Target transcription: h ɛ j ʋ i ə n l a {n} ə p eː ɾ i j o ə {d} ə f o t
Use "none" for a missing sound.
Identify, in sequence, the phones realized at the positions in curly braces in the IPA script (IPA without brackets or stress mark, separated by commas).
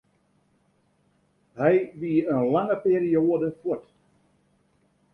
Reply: ŋ, d